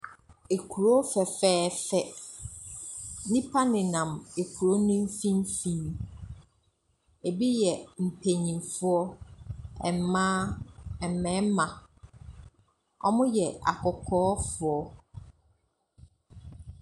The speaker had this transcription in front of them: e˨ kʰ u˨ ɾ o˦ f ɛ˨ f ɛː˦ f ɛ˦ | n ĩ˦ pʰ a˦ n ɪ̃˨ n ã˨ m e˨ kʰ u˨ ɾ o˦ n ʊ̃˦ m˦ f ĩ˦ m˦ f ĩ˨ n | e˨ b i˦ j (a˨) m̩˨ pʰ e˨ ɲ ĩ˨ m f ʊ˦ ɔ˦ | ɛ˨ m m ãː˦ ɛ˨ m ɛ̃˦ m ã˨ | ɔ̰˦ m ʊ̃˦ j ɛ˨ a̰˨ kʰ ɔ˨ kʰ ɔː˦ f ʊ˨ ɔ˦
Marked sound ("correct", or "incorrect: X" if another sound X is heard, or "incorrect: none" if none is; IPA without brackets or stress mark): incorrect: ɛ˨